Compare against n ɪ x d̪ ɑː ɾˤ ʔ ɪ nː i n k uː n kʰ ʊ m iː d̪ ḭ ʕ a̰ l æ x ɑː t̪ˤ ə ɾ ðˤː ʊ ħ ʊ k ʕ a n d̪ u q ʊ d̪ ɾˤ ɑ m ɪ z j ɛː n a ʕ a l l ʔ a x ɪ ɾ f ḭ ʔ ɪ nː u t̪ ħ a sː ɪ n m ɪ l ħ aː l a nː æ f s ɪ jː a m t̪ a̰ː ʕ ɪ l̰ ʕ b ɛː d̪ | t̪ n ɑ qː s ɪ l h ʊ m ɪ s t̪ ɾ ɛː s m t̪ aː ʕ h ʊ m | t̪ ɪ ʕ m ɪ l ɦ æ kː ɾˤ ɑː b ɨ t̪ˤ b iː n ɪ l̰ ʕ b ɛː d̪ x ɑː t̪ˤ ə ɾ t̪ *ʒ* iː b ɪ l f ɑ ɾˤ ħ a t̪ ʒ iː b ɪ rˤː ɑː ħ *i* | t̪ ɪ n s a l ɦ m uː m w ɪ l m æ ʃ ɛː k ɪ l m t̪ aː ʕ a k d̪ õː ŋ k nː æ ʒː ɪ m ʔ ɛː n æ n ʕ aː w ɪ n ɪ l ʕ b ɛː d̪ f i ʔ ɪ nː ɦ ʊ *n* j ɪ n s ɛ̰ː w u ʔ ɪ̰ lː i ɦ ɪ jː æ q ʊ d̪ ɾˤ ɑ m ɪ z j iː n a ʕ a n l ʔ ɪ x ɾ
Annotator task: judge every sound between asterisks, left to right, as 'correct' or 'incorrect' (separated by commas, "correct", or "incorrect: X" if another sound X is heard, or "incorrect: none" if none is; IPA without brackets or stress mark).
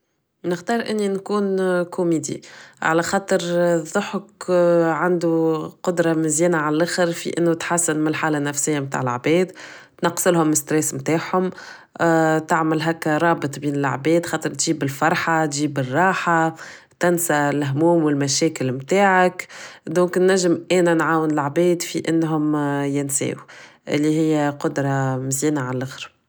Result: correct, incorrect: a, incorrect: m